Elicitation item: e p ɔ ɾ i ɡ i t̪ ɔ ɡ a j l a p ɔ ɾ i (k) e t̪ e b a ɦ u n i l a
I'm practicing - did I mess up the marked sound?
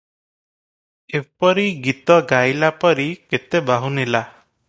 no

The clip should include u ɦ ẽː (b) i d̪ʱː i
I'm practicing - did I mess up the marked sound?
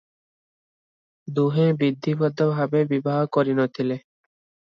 no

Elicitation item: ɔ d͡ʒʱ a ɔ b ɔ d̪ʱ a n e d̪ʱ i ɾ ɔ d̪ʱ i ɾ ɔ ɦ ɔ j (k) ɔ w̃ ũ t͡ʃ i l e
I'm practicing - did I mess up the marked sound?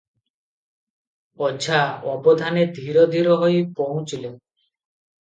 yes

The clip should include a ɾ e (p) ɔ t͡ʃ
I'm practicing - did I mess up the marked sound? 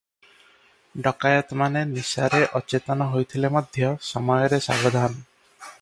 yes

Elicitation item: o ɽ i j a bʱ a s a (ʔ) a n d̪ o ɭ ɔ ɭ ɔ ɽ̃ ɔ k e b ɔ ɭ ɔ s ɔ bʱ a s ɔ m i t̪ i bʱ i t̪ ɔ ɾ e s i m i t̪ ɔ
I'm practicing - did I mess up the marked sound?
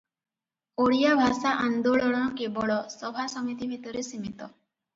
no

